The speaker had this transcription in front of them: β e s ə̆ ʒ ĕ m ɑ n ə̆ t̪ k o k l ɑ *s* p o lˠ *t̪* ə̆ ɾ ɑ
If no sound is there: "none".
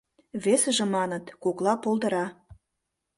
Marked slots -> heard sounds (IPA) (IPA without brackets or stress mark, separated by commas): none, d̪